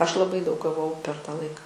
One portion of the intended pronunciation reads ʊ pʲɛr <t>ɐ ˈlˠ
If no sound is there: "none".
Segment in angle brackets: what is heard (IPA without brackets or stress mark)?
t